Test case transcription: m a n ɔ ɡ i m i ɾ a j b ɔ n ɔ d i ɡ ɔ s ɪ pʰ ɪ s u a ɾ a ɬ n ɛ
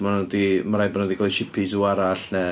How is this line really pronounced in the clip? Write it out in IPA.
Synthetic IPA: m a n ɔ d i m a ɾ a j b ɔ n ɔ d i ɡ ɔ ʃ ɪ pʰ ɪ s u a ɾ a ɬ n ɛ